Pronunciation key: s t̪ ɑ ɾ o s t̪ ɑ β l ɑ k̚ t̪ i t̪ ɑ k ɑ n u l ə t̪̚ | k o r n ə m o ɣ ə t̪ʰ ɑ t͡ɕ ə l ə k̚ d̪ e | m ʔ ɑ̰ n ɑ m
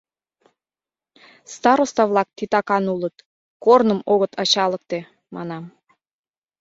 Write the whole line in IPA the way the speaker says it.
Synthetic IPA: s t̪ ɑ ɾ o s t̪ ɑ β l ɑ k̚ t̪ i t̪ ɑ k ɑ n u l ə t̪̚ | k o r n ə m o ɣ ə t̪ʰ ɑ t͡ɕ ɑ l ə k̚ t̪ e | m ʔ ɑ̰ n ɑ m